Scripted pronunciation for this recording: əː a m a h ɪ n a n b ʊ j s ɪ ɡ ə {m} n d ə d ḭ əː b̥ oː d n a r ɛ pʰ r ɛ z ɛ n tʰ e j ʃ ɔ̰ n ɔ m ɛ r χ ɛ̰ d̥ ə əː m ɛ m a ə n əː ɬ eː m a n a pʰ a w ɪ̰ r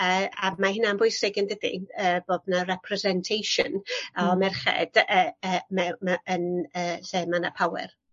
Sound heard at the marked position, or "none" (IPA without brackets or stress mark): none